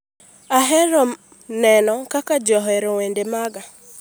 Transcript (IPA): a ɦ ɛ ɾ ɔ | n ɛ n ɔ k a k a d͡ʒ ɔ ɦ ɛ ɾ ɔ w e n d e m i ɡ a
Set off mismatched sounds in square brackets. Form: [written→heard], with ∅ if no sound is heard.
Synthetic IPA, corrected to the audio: a ɦ ɛ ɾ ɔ | n ɛ n ɔ k a k a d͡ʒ ɔ ɦ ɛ ɾ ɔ w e n d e m [i→a] ɡ a